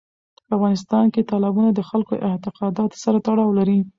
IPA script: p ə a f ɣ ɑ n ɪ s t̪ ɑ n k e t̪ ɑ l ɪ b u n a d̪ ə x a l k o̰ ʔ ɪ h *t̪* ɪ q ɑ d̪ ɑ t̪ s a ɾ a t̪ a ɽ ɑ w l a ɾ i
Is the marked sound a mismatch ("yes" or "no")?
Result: no